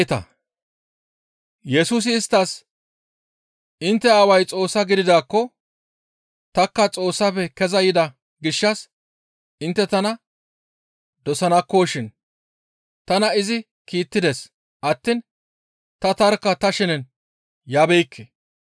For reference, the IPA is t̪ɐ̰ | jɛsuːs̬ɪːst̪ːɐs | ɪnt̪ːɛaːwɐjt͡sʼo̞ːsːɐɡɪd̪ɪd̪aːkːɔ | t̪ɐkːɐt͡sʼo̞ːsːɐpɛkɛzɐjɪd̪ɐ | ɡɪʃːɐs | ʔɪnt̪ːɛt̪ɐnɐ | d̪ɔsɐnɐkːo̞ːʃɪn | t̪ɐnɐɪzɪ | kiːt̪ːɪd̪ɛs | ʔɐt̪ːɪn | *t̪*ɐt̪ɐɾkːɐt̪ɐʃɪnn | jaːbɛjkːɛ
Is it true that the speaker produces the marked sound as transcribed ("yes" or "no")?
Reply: yes